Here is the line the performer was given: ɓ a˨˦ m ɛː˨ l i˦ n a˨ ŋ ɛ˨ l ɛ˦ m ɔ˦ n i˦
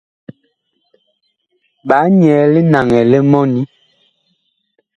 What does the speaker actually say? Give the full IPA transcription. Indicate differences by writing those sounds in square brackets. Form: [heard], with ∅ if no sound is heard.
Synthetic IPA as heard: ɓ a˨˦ [ɲ] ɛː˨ l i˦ n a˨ ŋ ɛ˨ l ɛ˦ m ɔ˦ n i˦